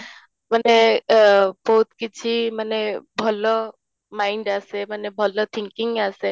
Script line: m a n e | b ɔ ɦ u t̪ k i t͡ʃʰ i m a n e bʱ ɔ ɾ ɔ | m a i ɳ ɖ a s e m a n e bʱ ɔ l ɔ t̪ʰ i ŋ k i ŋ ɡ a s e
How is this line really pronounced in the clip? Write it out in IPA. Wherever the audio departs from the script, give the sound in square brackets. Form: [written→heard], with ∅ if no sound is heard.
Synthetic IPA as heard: m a n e | b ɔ ɦ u t̪ k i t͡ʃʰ i m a n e bʱ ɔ [ɾ→l] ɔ | m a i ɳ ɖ a s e m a n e bʱ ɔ l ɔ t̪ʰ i ŋ k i ŋ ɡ a s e